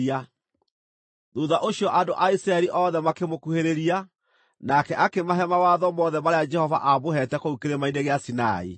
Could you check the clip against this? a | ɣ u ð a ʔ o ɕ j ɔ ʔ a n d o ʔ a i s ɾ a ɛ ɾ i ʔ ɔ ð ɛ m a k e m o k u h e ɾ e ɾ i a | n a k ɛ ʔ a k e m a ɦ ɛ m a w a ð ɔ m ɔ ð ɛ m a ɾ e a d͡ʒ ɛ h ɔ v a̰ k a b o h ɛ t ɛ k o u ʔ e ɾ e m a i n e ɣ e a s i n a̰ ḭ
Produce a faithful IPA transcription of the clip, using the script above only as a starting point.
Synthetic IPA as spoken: a | ð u ð a ʔ o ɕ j ɔ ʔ a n d o ʔ a i s ɾ a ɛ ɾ i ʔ ɔ ð ɛ m a k e m o k u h e ɾ e ɾ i a | n a k ɛ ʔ a k e m a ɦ ɛ m a w a ð ɔ m ɔ ð ɛ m a ɾ e a d͡ʒ ɛ h ɔ v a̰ ʔ a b o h ɛ t ɛ k o u k e ɾ e m a i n e ɣ e a s i n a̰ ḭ

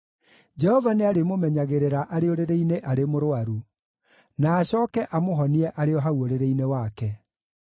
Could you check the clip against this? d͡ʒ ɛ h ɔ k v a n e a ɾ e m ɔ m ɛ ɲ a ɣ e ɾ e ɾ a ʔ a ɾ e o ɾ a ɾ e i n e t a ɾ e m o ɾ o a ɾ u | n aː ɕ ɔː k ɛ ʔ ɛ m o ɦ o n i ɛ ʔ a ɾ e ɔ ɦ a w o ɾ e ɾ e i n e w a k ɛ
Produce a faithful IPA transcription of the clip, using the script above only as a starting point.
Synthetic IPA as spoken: d͡ʒ ɛ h ɔ v a n e a ɾ e m o m ɛ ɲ a ɣ e ɾ e ɾ a ʔ a ɾ e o ɾ e ɾ e i n e ʔ a ɾ e m o ɾ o a ɾ u | n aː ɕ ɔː k ɛ ʔ a m o ɦ ɔ n i ɛ ʔ a ɾ e ɔ ɦ a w o ɾ e ɾ e i n e w a k ɛ

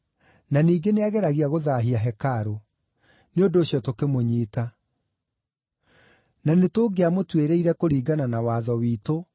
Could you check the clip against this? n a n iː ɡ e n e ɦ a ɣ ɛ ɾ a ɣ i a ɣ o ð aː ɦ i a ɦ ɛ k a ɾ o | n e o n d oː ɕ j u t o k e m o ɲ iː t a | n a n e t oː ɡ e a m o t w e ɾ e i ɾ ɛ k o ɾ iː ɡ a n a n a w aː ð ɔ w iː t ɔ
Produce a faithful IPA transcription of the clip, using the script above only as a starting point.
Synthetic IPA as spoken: n a n iː ɡ e n e a ɣ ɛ ɾ a ɣ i a ɣ o ð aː ɦ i a ɦ ɛ k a ɾ o | n e o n d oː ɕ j ɔ t o k e m o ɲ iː t a | n a n e t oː ɡ e a m o t w e ɾ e i ɾ ɛ k o ɾ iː ɡ a n a n a w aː ð ɔ w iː t o

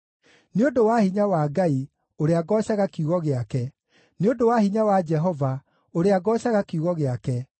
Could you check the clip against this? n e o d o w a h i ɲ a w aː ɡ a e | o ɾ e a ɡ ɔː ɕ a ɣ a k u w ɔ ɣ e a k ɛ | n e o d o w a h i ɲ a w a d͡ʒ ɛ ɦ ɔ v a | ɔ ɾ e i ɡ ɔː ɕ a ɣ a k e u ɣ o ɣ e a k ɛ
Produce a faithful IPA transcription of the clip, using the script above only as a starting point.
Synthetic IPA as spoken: n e o d o w a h i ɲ a w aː ɡ a i | o ɾ e a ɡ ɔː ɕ a ɣ a k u ɣ ɔ ɣ e a k ɛ | n e o d o w a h i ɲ a w a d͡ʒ ɛ ɦ ɔ v a | o ɾ e a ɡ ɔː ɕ a ɣ a k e u ɣ ɔ ɣ e a k ɛ

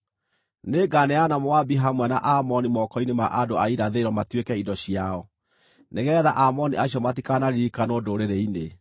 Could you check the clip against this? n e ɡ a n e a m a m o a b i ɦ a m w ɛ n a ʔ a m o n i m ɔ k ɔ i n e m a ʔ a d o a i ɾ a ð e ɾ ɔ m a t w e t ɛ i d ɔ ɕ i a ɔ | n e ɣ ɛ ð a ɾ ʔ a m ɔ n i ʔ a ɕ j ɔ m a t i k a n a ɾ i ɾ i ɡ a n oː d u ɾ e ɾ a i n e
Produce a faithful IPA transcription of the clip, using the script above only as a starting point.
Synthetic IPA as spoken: n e ɡ a n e a n a m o a b i ɦ a m w ɛ n a ʔ a m ɔ n i m ɔ k ɔ i n e m a ʔ a d o a i ɾ a ð e ɾ ɔ m a t w e k ɛ i d ɔ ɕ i a ɔ | n e ɣ ɛ ð a ʔ a m ɔ n i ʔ a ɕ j ɔ m a t i k a n a ɾ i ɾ i k a n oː d o ɾ e ɾ e i n e

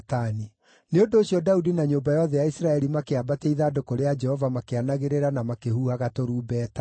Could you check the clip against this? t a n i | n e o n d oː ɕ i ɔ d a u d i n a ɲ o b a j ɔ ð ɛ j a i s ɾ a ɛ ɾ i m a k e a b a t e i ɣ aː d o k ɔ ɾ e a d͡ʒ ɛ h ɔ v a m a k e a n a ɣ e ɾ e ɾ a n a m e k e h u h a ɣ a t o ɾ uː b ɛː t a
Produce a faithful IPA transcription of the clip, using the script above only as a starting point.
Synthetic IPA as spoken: t a n i | n e o n d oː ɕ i ɔ d a u d i n a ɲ o b a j ɔ ð ɛ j a i s ɾ a ɛ ɾ i m a k e a b a t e i ð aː d o k o ɾ e a d͡ʒ ɛ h ɔ v a m a k e a n a ɣ e ɾ e ɾ a n a m a k e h u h a ɣ a t o ɾ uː b ɛː t a

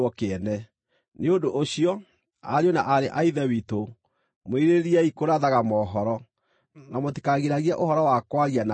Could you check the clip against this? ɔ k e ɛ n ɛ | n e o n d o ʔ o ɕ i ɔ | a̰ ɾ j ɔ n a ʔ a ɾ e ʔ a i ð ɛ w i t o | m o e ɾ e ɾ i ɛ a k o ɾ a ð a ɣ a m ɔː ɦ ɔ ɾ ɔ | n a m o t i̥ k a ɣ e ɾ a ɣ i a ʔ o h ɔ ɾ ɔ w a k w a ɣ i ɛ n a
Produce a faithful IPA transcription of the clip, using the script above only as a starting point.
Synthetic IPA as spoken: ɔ k e ɛ n ɛ | n e o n d o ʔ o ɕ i ɔ | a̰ ɾ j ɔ n a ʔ a ɾ e ʔ a i ð ɛ w i t o | m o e ɾ e ɾ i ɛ i k o ɾ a ð a ɣ a m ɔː ɦ ɔ ɾ ɔ | n a m o t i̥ k a ɣ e ɾ a ɣ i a ʔ o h ɔ ɾ ɔ w a k w a ɣ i a n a

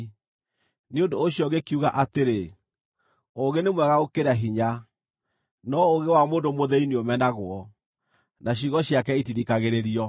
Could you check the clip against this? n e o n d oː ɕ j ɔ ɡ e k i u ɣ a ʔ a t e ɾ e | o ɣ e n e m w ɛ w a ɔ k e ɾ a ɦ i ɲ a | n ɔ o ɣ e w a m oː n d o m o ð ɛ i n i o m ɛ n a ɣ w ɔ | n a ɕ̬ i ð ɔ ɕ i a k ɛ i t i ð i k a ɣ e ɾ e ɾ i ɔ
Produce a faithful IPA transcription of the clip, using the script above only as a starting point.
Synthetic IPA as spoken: n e o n d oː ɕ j ɔ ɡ e k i u ɣ a ʔ a t e ɾ e | o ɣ e n e m w ɛ ɣ a o k e ɾ a ɦ i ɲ a | n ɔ o ɣ e w a m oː n d o m o ð ɛ i n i o m ɛ n a ɣ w ɔ | n a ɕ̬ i ɣ ɔ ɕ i a k ɛ i t i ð i k a ɣ e ɾ e ɾ i ɔ

